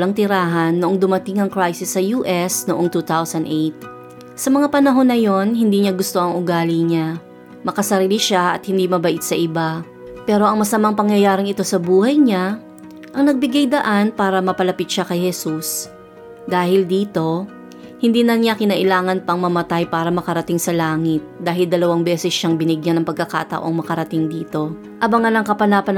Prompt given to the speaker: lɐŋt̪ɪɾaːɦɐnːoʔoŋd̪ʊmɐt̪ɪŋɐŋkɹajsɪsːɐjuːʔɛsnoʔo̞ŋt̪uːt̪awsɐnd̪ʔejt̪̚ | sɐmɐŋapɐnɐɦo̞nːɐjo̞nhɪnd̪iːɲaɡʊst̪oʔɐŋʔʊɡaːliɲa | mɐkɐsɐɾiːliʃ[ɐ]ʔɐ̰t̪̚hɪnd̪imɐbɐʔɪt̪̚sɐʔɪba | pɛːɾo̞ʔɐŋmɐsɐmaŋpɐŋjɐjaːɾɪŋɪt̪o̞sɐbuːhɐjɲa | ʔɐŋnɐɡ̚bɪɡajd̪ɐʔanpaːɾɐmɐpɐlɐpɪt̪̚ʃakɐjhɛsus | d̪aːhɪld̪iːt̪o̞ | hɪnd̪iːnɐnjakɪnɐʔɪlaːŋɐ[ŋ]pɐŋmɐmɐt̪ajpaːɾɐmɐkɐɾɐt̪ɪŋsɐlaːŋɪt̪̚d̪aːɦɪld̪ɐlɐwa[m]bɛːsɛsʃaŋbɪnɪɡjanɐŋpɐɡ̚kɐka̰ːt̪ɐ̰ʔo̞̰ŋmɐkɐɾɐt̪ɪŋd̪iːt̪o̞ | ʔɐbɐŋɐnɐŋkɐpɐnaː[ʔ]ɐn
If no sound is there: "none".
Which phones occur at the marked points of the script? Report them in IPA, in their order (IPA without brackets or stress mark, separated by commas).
a, n, ŋ, p